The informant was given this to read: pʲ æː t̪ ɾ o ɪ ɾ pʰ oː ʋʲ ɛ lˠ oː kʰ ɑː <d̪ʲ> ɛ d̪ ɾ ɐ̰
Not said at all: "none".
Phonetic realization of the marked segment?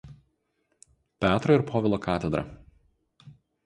t̪ʲ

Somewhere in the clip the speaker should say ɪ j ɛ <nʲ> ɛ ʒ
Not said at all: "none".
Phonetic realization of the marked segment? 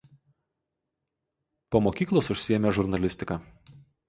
mʲ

